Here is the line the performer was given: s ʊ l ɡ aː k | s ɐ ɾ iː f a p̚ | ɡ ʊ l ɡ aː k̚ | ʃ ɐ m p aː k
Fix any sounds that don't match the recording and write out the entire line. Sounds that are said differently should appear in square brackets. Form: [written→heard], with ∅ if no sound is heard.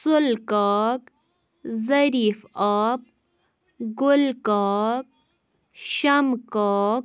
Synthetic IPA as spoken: s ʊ l [ɡ→k] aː k | [s→z] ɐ ɾ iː f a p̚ | ɡ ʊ l [ɡ→k] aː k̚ | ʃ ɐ m [p→k] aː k